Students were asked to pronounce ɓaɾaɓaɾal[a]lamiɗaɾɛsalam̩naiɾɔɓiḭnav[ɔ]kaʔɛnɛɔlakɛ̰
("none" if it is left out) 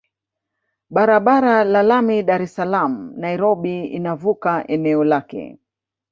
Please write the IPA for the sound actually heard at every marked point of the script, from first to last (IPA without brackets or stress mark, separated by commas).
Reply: a, u